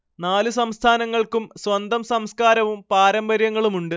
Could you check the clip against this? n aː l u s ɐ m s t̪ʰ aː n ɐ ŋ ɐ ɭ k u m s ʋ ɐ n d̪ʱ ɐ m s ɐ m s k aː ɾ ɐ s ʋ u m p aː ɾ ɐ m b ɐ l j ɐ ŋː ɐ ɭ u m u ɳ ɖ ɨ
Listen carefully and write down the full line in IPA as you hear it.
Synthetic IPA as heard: n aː l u s ɐ m s t̪ʰ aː n ɐ ŋː ɐ ɭ k u m s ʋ ɐ n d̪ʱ ɐ m s ɐ m s k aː ɾ ɐ ʋ u m p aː ɾ ɐ m b ɐ ɾ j ɐ ŋː ɐ ɭ u m u ɳ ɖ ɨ

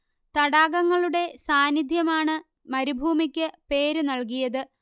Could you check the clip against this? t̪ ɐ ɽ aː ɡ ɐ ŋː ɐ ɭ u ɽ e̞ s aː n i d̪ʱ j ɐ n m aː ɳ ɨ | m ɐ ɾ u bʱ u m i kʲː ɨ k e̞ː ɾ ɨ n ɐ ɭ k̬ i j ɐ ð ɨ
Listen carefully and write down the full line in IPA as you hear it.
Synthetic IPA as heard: t̪ ɐ ɽ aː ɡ ɐ ŋː ɐ ɭ u ɽ e̞ s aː n i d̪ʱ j ɐ m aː ɳ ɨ | m ɐ ɾ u bʱ uː m i kʲː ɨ p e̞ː ɾ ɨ n ɐ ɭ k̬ i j ɐ ð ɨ

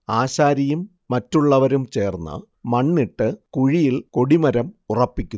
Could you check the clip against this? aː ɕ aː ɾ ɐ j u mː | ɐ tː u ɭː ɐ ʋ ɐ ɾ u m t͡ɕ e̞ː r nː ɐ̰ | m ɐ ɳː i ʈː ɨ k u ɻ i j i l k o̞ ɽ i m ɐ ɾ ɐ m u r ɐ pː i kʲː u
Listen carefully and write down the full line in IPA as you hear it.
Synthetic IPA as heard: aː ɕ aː ɾ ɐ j u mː | ɐ tː u ɭː ɐ ʋ ɐ ɾ u m t͡ɕ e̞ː r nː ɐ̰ | m ɐ ɳː i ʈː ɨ k u ɻ i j i l k o̞ ɽ i m ɐ ɾ ɐ m u r ɐ pː i kʲː u

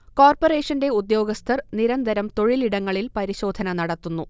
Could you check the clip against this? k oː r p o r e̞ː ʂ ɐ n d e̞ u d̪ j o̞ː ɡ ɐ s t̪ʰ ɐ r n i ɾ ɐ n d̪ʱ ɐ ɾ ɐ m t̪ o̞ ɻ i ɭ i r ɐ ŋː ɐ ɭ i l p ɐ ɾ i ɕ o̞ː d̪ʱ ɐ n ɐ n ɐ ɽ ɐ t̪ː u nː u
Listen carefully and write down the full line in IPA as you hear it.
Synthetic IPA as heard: k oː r p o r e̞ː ʂ ɐ n d e̞ u d̪ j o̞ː ɡ ɐ s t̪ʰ ɐ r n i ɾ ɐ n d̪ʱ ɐ ɾ ɐ m t̪ o̞ ɻ i l i ɽ ɐ ŋː ɐ ɭ i l p ɐ ɾ i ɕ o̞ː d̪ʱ ɐ n ɐ n ɐ ɽ ɐ t̪ː u nː u

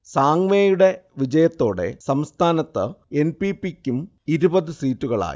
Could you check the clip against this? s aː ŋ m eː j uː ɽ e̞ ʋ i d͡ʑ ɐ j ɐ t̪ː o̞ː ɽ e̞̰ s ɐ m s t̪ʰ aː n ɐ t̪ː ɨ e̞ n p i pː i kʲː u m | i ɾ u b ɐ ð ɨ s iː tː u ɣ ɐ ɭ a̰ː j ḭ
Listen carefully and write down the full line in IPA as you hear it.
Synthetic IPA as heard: s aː ŋ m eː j u ɽ e̞ ʋ i d͡ʑ ɐ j ɐ t̪ː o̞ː ɽ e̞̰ s ɐ m s t̪ʰ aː n ɐ t̪ː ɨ e̞ n p i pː i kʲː u m | i ɾ u b ɐ ð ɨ s iː tː u ɣ ɐ ɭ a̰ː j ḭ

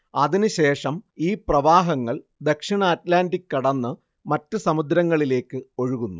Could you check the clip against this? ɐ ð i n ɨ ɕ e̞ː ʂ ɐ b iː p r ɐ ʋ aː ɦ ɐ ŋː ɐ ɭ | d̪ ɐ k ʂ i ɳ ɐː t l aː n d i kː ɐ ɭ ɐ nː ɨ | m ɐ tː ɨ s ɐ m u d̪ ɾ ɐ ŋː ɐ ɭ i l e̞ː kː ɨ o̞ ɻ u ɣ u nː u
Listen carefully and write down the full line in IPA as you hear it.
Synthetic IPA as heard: ɐ ð i n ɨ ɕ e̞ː ʂ ɐ m iː p r ɐ ʋ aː ɦ ɐ ŋː ɐ ɭ | d̪ ɐ k ʂ i ɳ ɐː t l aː n d i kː ɐ ɽ ɐ nː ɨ | m ɐ tː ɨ s ɐ m u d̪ ɾ ɐ ŋː ɐ ɭ i l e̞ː kː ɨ o̞ ɻ u ɣ u nː u

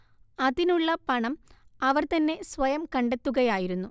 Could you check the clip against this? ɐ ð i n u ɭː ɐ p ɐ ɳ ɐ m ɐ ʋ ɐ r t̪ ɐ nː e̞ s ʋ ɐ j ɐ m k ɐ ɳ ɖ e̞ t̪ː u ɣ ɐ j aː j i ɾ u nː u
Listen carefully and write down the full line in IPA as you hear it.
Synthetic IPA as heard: ɐ ð i n u ɭː ɐ p ɐ ɳ ɐ m ɐ ʋ ɐ r t̪ ɐ nː e̞ s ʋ ɐ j ɐ m k ɐ ɳ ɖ e̞ t̪ː u ɣ ɐ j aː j i ɾ u nː u

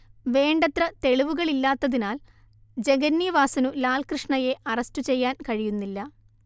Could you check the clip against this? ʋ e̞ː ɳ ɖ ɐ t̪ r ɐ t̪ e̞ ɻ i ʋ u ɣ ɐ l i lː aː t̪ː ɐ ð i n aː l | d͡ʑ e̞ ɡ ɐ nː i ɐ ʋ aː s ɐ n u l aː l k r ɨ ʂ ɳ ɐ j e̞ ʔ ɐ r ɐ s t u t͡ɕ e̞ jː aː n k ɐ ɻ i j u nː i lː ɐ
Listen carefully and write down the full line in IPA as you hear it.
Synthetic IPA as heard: ʋ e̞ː ɳ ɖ ɐ t̪ r ɐ t̪ e̞ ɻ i ʋ u ɣ ɐ ɭ i lː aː t̪ː ɐ ð i n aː l | d͡ʑ e̞ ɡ ɐ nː i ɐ ʋ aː s ɐ n u l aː l k r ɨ ʂ ɳ ɐ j e̞ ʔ ɐ r ɐ s t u t͡ɕ e̞ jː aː n k ɐ ɻ i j u nː i lː ɐ

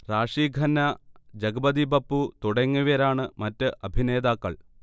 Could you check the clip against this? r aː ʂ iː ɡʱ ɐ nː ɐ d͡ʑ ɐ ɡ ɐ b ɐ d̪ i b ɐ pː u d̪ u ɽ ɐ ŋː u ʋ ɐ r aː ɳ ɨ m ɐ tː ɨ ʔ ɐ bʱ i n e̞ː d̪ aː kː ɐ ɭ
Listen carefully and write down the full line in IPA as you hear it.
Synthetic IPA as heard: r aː ʂ iː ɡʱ ɐ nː ɐ d͡ʑ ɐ ɡ ɐ b ɐ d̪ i b ɐ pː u t̪ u ɽ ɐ ŋː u ʋ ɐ ɾ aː ɳ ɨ m ɐ tː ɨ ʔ ɐ bʱ i n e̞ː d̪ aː kː ɐ ɭ

